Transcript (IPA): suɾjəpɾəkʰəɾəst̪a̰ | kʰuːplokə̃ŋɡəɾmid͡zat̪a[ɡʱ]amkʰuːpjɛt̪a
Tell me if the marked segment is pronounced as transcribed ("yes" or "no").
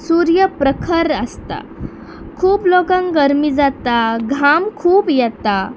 yes